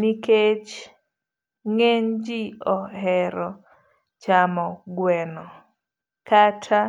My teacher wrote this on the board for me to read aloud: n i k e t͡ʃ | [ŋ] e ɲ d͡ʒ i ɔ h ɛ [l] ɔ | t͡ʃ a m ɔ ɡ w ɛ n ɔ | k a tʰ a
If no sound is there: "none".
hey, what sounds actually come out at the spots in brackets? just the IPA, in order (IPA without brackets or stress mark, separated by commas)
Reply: ŋ, ɾ